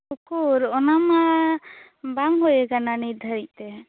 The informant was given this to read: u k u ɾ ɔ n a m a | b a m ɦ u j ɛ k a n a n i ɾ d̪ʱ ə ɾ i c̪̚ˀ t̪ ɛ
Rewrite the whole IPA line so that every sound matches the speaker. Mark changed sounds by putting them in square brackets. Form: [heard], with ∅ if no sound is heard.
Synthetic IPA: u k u ɾ ɔ n a m a | b a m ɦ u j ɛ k a n a n i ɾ d̪ʱ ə ɾ i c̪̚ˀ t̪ ɛ